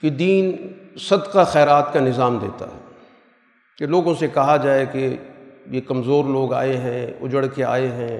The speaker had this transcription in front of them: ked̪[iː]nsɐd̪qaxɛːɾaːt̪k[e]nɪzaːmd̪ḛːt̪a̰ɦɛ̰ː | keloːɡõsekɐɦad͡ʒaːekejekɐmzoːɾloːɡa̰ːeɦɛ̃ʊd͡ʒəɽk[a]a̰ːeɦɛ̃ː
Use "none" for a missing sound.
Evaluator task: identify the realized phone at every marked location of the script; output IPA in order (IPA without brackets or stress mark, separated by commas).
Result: iː, a, e